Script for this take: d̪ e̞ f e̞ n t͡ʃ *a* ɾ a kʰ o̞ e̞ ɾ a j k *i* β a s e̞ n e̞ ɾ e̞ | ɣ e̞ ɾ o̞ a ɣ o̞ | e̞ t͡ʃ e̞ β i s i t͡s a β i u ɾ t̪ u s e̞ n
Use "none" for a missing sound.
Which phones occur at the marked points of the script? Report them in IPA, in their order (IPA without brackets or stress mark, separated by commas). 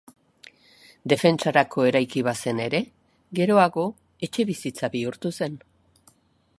a, i